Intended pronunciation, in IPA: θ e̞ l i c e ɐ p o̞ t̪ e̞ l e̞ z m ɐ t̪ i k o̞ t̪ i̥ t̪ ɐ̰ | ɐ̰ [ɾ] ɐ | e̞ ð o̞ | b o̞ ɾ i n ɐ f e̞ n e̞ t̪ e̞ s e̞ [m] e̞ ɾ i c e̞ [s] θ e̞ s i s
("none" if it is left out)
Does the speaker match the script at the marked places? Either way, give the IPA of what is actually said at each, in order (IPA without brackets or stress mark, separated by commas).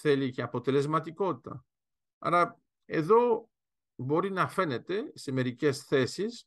ɾ, m, s